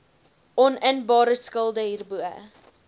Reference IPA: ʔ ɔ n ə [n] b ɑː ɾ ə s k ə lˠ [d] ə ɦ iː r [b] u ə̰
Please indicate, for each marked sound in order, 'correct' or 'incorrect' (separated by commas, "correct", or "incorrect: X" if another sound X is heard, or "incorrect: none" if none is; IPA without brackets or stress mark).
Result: correct, correct, correct